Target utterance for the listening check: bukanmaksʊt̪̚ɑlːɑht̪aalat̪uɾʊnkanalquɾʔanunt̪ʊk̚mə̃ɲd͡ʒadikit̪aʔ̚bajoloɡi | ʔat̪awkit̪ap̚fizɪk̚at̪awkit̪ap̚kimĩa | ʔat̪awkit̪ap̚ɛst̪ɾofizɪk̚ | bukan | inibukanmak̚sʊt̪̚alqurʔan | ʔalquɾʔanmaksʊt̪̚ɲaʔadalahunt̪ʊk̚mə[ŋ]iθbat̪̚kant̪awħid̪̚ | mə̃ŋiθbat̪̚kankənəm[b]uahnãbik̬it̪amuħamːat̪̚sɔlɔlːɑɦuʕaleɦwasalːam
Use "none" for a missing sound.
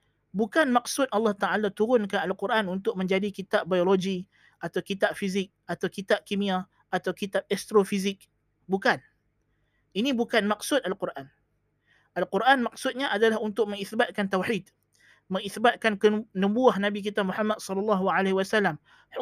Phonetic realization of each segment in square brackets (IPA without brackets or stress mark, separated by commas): ŋ, b